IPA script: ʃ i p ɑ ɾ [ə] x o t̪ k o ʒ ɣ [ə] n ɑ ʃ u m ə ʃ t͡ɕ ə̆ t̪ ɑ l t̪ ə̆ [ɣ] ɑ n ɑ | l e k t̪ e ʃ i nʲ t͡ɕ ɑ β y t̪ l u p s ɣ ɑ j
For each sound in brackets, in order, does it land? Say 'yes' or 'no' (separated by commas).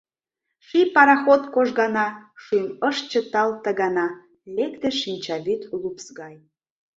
no, no, yes